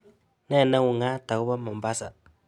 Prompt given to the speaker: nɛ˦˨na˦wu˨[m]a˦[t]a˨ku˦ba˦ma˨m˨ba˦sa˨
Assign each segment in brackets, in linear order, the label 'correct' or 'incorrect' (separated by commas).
incorrect, correct